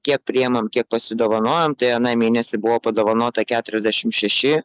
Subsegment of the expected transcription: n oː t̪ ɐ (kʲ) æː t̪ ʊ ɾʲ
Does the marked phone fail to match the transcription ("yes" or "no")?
no